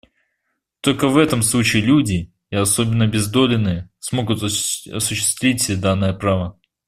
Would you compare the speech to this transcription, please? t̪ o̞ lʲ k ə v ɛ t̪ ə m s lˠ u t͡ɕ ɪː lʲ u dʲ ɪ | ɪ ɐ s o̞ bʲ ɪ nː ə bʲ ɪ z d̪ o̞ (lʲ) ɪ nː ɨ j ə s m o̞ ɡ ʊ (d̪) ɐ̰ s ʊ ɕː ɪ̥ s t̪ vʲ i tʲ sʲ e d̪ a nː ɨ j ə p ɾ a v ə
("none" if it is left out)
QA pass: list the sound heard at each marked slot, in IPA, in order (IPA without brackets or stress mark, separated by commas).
lʲ, t̪